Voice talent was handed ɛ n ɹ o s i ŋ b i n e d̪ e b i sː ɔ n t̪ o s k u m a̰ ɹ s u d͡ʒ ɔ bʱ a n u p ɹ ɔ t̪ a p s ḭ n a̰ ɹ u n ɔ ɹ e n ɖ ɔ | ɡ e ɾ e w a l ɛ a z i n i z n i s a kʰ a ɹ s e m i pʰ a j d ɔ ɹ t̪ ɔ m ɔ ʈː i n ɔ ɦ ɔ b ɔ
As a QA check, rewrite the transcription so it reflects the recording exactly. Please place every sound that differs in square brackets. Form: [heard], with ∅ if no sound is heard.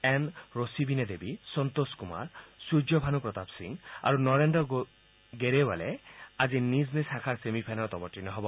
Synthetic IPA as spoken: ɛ n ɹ o s i [∅] b i n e d̪ e b i [s] ɔ n t̪ o s k u m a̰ ɹ s u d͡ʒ ɔ bʱ a n u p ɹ ɔ t̪ a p s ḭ [ŋ] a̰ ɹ u n ɔ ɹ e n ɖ ɔ | ɡ e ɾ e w a l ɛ a z i n i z n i s a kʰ a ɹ s e m i pʰ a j [n] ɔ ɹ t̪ ɔ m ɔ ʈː i n ɔ ɦ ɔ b ɔ